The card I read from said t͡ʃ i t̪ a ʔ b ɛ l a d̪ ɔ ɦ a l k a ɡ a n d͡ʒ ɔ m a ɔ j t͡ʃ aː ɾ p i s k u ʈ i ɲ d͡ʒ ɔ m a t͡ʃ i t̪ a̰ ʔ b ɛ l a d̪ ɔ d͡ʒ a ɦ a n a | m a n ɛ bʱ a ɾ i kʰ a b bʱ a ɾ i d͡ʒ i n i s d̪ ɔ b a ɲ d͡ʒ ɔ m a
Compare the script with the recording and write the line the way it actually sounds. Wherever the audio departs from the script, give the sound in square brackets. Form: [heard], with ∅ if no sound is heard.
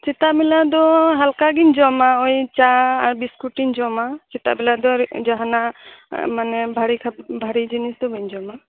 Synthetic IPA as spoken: t͡ʃ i t̪ a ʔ b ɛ l a d̪ ɔ ɦ a l k a ɡ [i] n d͡ʒ ɔ m a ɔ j t͡ʃ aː ɾ [b] i s k u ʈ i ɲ d͡ʒ ɔ m a t͡ʃ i t̪ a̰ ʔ b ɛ l a d̪ ɔ d͡ʒ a ɦ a n a | m a n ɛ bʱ a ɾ i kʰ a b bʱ a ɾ i d͡ʒ i n i s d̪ ɔ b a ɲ d͡ʒ ɔ m a